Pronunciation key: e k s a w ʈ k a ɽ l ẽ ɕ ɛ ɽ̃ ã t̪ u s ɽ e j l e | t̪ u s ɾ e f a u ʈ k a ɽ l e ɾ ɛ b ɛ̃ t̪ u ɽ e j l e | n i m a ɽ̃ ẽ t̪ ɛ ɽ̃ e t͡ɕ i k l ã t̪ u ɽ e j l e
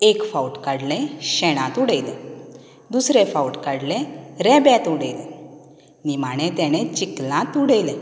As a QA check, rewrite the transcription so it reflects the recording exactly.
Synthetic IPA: e k f a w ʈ k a ɽ l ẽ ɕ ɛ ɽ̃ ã t̪ u ɽ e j l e | d̪ u s ɾ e f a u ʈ k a ɽ l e ɾ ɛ b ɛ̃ t̪ u ɽ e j l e | n i m a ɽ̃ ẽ t̪ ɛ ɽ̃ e t͡ɕ i k l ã t̪ u ɽ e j l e